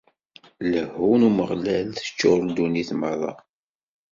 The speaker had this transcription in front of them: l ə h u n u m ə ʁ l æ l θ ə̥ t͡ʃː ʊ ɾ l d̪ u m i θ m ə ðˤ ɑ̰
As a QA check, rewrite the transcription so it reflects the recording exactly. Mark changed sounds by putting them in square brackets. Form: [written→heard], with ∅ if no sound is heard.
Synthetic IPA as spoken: l ə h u n u m ə ʁ l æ l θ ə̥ t͡ʃː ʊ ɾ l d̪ u [m→n] i θ m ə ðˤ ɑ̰